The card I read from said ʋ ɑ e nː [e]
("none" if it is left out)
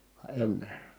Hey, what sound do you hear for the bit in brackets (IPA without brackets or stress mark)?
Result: e